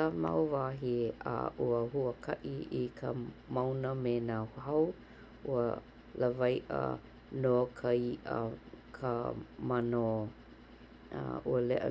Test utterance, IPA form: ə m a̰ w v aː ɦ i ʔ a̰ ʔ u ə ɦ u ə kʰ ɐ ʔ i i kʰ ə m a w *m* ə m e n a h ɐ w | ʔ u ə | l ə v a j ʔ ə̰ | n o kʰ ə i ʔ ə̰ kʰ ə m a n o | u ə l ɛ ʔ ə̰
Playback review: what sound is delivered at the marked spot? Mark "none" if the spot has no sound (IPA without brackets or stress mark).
n